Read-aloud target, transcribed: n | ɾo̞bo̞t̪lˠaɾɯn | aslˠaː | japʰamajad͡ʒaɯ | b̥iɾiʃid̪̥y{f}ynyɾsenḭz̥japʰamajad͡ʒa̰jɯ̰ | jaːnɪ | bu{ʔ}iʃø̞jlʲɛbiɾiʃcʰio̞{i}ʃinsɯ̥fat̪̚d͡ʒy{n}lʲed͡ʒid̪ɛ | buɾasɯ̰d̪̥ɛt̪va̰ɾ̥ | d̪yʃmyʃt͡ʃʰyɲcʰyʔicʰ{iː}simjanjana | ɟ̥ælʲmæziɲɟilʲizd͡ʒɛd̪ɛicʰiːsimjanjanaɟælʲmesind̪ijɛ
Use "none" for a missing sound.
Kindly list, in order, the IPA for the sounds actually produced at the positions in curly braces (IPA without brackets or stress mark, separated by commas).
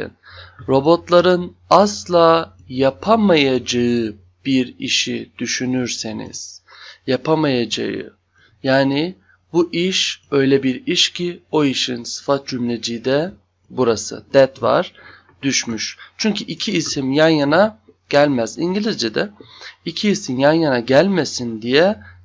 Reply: ʃ, ʔ, i, m, iː